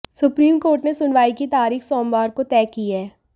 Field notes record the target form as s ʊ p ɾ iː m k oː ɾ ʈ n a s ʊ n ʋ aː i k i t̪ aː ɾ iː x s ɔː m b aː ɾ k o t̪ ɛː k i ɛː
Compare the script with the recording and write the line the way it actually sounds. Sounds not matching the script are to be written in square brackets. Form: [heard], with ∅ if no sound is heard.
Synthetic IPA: s ʊ p ɾ iː m k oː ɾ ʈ n [e] s ʊ n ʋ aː i k i t̪ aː ɾ iː x s ɔː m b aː ɾ k o t̪ ɛː k i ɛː